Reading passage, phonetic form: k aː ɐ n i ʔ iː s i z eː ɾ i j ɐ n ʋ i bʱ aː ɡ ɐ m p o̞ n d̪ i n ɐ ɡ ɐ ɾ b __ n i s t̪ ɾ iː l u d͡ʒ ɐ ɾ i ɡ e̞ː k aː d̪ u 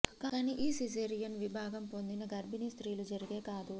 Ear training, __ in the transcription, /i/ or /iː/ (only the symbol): i